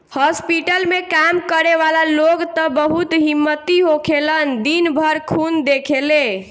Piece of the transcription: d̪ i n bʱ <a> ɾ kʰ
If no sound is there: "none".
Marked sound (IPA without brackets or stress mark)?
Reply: ə